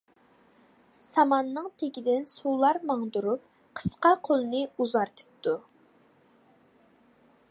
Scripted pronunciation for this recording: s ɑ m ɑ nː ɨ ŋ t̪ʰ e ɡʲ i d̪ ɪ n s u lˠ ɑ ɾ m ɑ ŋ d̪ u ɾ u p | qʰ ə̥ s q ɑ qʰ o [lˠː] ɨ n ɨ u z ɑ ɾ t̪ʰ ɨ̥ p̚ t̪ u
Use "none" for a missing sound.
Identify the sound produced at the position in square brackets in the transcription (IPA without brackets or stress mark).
lˠ